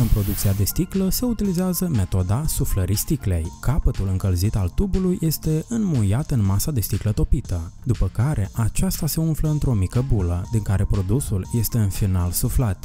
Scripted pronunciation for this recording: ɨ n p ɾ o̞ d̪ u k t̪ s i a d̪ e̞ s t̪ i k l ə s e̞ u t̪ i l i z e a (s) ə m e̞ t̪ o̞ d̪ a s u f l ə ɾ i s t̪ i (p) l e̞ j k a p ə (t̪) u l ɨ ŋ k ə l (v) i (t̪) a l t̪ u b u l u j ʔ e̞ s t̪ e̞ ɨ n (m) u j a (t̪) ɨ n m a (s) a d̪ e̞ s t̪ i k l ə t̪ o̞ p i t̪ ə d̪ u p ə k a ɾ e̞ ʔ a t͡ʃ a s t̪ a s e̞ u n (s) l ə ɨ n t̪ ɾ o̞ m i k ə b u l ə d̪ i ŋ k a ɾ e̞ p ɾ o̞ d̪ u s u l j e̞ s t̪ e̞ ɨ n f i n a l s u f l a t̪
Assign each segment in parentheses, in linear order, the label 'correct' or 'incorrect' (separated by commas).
incorrect, incorrect, correct, incorrect, correct, correct, correct, correct, incorrect